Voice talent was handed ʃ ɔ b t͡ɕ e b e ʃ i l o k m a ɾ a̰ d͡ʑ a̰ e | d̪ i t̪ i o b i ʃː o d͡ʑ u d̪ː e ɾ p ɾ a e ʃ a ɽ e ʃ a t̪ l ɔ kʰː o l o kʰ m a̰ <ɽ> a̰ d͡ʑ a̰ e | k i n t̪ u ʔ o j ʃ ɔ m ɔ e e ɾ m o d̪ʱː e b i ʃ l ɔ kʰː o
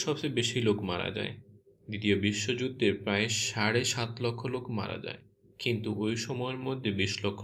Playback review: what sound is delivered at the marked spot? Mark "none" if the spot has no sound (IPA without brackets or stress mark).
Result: ɾ